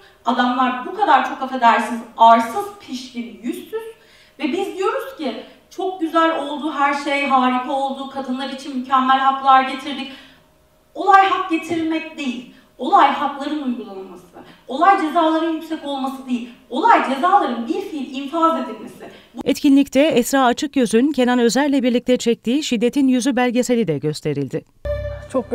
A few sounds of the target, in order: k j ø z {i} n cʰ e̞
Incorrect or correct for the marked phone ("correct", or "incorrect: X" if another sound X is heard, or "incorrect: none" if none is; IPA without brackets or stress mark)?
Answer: incorrect: y